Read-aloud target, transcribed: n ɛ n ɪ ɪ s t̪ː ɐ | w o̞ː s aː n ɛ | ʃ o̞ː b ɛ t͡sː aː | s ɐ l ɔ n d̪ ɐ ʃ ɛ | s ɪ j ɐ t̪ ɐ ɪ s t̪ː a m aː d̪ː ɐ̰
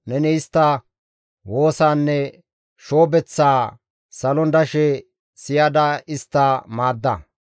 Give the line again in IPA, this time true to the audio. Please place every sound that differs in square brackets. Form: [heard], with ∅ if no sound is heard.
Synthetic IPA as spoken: n ɛ n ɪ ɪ s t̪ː ɐ | w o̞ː s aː [nː] ɛ | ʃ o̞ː b ɛ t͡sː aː | s ɐ l ɔ n d̪ ɐ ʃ ɛ | s ɪ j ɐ [d̪] ɐ ɪ s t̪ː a m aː d̪ː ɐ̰